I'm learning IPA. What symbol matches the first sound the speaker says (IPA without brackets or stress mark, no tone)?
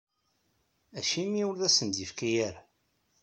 æ